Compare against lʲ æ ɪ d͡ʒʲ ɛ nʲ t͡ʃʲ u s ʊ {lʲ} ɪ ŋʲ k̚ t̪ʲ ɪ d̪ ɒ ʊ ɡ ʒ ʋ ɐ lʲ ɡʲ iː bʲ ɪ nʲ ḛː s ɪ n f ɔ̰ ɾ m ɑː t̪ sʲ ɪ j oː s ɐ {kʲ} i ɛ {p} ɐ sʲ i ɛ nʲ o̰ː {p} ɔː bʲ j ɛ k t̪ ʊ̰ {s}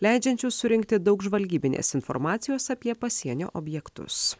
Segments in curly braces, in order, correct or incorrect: incorrect: ɾʲ, incorrect: pʲ, correct, incorrect: ʔ, correct

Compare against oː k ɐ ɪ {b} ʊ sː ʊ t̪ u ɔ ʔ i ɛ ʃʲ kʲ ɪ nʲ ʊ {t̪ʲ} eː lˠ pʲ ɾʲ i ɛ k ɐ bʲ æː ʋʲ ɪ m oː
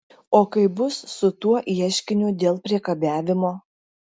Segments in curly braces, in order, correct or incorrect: correct, incorrect: d̪ʲ

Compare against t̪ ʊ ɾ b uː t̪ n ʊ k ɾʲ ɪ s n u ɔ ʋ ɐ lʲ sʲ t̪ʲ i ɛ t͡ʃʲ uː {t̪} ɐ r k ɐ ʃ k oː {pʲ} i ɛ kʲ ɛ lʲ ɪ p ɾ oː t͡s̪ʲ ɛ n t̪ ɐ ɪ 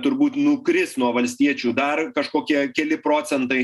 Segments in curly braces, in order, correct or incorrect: incorrect: d̪, incorrect: kʲ

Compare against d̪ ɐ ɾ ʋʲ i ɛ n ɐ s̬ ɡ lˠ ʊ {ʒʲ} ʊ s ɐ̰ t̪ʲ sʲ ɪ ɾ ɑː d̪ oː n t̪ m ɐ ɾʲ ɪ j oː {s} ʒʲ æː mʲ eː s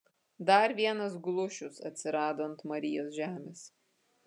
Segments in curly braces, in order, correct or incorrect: incorrect: ʃʲ, correct

